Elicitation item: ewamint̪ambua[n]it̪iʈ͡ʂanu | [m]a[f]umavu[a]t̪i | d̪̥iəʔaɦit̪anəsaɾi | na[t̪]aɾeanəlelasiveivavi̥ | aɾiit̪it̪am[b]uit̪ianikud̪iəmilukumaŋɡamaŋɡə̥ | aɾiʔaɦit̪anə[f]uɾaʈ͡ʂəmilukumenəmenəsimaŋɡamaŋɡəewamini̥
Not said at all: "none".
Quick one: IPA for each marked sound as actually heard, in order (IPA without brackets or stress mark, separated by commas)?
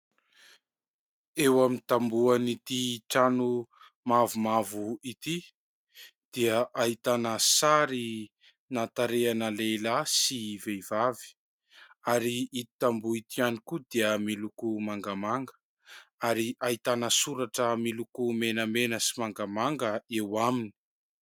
n, m, v, i, t̪, b, s